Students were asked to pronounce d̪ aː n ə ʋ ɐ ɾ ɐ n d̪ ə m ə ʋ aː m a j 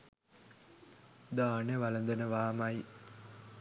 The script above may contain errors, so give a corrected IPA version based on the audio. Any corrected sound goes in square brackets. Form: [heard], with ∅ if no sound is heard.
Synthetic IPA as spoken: d̪ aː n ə ʋ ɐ [l] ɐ n d̪ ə [n] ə ʋ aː m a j